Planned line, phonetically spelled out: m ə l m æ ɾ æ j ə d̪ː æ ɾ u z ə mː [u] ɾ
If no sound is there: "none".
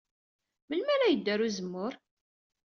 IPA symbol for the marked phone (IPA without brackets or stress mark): ʊ